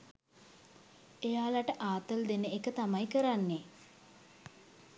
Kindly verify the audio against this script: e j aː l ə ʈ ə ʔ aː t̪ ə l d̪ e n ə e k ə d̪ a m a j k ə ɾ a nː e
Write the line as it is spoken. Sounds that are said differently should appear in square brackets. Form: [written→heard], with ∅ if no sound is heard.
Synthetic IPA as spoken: e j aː l [ə→a] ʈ ə ʔ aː t̪ ə l d̪ e n ə e k ə [d̪→t̪] a m a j k ə ɾ a nː e